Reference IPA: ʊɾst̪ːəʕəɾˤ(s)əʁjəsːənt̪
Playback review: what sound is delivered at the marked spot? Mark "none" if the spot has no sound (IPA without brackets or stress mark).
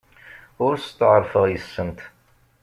f